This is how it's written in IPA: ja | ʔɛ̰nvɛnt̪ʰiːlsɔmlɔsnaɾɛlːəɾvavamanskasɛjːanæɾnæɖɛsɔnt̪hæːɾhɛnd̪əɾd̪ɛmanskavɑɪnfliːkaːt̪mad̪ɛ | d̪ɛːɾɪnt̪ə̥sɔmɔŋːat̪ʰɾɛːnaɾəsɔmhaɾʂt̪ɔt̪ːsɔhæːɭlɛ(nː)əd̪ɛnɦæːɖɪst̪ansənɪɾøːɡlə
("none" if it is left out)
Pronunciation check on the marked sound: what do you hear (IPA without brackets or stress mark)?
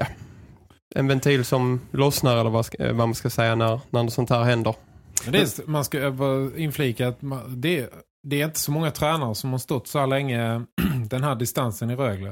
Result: ŋː